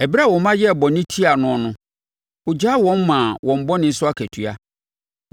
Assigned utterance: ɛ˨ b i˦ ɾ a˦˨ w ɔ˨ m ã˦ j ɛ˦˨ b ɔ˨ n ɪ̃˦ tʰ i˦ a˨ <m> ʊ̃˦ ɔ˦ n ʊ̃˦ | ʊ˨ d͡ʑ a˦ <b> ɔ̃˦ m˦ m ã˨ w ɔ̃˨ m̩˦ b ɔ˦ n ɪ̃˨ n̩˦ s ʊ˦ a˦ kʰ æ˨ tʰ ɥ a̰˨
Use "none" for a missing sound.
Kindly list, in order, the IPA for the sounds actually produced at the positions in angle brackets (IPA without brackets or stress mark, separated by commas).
n, w